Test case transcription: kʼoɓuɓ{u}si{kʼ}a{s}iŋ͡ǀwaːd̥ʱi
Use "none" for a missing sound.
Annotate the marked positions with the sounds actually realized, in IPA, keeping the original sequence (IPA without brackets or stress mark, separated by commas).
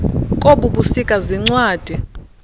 u, kʼ, z